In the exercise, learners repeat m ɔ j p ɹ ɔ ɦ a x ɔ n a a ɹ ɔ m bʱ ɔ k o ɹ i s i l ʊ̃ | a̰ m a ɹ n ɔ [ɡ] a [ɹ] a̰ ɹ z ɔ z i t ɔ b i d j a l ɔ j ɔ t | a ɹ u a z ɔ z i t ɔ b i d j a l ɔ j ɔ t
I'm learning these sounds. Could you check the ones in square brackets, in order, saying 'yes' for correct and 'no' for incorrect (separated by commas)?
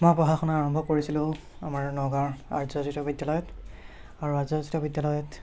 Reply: yes, yes